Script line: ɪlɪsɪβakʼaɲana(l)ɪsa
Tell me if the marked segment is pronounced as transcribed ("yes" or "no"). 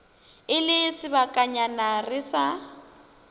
no